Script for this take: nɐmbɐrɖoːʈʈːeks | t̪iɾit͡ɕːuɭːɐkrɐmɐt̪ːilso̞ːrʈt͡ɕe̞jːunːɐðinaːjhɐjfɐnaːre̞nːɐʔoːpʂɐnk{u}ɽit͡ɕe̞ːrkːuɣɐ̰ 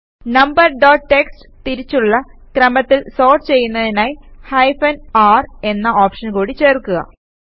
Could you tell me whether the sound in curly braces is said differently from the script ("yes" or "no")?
yes